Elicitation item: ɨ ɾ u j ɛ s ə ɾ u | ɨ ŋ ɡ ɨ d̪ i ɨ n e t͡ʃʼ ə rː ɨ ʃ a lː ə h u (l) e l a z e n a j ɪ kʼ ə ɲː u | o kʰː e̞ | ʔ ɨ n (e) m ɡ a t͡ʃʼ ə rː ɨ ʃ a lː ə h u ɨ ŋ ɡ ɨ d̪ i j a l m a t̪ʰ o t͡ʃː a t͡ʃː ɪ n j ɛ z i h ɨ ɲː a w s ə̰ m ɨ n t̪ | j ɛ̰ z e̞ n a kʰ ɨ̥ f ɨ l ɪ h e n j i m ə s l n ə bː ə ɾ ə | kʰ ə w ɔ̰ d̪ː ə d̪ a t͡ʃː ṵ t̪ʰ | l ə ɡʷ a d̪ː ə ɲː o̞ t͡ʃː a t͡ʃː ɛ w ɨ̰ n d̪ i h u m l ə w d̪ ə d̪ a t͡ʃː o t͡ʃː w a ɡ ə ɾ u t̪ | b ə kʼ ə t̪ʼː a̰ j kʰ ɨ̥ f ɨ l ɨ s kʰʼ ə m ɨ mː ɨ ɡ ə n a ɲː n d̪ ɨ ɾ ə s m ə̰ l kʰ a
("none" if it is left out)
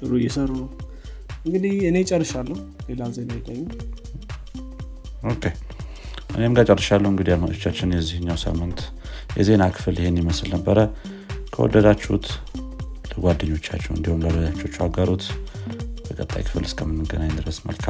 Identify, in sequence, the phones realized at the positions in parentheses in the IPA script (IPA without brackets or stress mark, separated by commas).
l, e